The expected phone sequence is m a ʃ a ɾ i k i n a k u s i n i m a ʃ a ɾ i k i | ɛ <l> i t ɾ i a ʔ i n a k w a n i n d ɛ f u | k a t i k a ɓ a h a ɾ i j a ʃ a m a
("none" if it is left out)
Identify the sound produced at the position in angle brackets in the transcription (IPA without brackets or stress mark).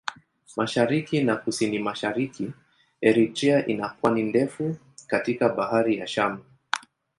ɾ